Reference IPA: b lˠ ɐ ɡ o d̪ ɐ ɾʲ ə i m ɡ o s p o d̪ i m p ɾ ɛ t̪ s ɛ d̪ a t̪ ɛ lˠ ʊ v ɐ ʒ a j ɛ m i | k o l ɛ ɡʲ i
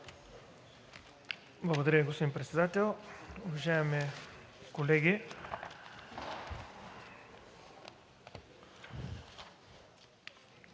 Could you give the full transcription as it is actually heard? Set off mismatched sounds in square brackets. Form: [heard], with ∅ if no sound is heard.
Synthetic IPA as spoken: b lˠ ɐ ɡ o d̪ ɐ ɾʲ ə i [∅] ɡ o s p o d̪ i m p ɾ ɛ t̪ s ɛ d̪ a t̪ ɛ lˠ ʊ v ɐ ʒ a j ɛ m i | k o l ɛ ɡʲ i